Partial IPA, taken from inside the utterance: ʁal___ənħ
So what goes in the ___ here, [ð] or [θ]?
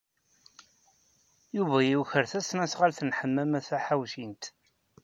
θ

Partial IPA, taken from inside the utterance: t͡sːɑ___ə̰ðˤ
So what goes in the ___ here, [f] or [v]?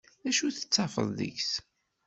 f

